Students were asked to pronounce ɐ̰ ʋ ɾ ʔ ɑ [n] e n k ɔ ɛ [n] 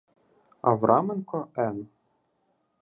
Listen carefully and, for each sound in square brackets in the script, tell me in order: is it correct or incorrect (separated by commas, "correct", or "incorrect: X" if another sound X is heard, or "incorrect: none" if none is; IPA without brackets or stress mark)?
incorrect: m, correct